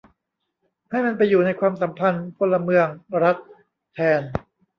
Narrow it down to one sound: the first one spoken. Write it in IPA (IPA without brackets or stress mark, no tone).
h